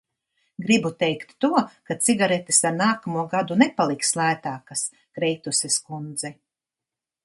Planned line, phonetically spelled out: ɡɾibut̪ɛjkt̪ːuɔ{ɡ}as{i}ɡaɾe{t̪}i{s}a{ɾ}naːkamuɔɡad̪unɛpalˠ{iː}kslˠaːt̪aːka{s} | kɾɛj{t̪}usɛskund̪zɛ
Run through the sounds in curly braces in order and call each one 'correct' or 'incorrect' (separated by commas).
incorrect, correct, correct, correct, correct, incorrect, correct, correct